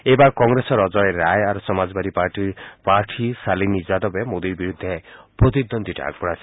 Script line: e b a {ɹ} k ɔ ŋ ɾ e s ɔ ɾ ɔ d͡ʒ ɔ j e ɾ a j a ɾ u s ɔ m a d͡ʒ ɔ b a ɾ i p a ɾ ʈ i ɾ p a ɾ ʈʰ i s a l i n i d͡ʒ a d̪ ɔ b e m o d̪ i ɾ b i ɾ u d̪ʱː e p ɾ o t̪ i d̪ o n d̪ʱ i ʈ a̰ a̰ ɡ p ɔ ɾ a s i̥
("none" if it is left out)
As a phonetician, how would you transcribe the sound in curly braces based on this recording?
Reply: ɾ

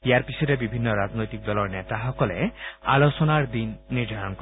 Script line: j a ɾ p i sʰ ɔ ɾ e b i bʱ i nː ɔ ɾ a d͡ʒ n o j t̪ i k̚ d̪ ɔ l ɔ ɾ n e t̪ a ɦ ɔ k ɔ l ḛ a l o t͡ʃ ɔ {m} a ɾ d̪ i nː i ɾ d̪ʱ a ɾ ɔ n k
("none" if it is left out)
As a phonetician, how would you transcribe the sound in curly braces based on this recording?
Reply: n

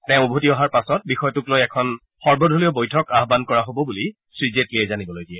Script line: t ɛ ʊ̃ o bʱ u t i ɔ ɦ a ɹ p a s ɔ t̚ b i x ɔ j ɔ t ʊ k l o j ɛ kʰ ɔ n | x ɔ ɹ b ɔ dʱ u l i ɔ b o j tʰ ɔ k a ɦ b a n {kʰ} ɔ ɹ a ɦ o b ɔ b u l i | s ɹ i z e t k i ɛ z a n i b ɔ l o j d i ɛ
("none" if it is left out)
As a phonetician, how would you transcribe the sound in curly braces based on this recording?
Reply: k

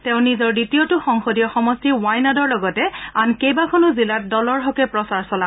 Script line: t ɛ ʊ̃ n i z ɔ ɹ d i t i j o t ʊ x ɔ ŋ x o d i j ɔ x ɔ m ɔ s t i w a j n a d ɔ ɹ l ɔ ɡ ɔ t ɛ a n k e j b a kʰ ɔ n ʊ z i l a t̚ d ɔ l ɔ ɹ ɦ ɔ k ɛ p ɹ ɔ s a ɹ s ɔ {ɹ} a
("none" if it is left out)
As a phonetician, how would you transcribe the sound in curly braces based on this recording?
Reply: l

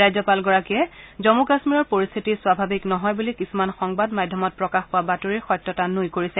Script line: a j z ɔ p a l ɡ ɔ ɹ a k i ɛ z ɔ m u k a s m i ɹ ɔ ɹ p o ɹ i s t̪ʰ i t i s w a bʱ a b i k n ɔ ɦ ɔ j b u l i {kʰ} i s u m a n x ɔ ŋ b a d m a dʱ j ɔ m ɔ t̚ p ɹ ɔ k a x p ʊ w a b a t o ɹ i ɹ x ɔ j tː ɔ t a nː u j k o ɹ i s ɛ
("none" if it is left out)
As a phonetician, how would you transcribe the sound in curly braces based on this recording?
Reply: k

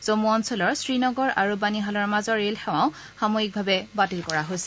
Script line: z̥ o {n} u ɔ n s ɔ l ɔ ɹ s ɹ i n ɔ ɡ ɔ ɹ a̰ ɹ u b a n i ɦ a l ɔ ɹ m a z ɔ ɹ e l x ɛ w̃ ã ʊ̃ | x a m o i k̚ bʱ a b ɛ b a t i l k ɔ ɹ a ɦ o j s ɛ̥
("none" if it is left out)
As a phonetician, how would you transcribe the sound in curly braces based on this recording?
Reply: m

